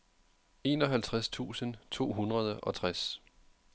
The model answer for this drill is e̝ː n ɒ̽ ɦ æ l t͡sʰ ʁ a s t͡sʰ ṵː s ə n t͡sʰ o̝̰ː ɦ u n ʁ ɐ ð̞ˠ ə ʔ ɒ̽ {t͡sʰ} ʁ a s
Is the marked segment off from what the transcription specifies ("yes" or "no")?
no